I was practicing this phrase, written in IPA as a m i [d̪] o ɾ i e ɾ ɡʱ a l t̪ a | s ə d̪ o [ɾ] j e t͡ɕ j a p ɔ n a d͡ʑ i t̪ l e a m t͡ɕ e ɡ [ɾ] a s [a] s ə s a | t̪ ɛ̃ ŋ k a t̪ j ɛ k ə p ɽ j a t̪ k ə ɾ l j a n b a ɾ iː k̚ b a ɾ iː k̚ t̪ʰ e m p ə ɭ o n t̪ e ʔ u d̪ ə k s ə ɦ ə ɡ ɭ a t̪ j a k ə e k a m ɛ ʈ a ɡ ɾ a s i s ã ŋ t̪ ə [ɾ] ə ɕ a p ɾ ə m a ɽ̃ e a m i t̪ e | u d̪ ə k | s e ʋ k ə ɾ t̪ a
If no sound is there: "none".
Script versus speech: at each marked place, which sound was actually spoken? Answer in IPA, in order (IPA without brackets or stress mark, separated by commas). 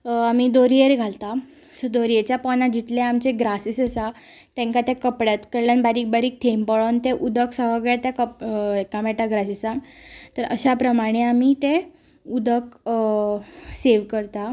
d̪, ɾ, ɾ, i, ɾ